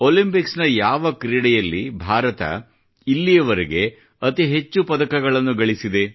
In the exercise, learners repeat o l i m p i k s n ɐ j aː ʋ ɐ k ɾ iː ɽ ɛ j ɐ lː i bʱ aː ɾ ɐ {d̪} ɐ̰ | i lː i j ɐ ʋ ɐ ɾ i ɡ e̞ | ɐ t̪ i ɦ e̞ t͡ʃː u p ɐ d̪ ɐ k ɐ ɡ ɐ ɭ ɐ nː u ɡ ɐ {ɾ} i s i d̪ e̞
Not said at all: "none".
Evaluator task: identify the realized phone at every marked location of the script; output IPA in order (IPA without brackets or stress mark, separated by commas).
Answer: t̪, ɭ